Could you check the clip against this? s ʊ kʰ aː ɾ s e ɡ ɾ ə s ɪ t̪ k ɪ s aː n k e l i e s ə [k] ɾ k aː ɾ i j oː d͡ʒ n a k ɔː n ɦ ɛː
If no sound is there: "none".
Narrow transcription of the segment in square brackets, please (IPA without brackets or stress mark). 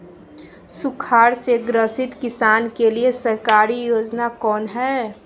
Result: none